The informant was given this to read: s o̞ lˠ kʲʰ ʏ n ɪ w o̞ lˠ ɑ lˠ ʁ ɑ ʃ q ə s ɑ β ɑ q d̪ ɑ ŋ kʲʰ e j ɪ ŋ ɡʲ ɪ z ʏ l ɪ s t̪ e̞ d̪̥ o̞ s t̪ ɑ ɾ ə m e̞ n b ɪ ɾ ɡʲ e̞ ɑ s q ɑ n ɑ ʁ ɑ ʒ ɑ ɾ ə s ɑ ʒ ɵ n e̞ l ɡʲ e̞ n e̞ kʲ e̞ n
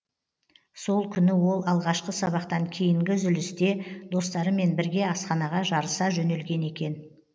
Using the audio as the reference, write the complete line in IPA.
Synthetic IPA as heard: s o̞ lˠ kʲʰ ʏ n ɪ w o̞ lˠ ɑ lˠ ʁ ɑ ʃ q ə s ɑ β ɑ q t̪ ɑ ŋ kʲʰ e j ɪ ŋ ɡʲ ɪ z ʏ l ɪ s t̪ e̞ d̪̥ o̞ s t̪ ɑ ɾ ə m e̞ n b ɪ ɾ ɡʲ e̞ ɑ s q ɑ n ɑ ʁ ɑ ʒ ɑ ɾ ə s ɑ ʒ ɵ n e̞ l ɡʲ e̞ n e̞ kʲ e̞ n